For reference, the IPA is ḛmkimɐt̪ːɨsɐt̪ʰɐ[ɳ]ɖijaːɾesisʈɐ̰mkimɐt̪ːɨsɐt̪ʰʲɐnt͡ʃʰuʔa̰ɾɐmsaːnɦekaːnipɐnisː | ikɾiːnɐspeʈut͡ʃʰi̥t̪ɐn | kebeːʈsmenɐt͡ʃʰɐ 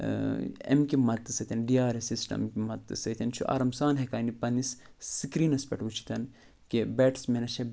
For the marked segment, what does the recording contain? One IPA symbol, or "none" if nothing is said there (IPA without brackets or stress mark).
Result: n